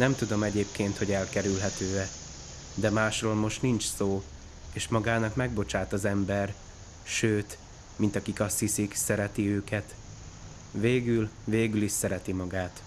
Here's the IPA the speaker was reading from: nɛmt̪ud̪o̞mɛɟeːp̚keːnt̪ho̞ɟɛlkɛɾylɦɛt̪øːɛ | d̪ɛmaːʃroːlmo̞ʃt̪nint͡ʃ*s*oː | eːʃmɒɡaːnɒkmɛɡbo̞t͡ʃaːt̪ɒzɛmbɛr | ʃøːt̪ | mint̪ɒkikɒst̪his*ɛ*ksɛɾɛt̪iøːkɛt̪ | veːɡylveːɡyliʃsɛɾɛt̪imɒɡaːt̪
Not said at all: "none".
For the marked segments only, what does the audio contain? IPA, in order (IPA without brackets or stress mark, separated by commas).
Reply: s, i